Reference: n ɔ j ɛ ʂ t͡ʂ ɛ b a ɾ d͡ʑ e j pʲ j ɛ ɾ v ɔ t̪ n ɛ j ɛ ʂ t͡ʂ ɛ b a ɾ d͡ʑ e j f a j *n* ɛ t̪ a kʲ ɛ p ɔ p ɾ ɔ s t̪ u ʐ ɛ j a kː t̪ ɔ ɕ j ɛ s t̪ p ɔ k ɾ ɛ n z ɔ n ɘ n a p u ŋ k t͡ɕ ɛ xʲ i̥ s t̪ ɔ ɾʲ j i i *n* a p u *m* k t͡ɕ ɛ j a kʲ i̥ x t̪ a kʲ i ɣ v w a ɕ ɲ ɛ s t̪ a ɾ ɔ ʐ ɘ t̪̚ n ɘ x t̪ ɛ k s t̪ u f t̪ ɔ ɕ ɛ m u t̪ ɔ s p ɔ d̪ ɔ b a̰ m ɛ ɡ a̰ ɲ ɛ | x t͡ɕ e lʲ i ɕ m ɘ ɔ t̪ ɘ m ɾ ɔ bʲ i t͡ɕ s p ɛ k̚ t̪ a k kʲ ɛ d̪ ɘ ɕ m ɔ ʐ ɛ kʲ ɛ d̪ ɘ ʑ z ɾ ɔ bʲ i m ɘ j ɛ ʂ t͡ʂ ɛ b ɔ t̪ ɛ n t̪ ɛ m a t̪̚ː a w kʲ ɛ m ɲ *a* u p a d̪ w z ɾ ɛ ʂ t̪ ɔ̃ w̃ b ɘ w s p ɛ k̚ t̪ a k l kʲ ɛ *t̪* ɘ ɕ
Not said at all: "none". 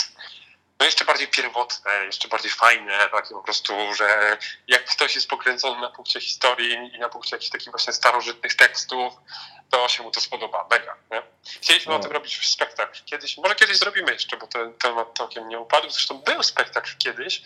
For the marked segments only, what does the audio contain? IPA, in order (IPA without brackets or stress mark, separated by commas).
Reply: n, n, ŋ, ɛ, d̪